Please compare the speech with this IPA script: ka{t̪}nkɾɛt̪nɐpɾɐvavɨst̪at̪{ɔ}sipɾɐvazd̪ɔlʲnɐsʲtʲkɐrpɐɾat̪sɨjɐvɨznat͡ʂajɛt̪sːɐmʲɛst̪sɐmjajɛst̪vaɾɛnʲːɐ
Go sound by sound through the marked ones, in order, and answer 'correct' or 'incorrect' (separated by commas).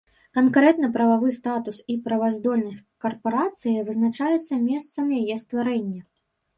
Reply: incorrect, incorrect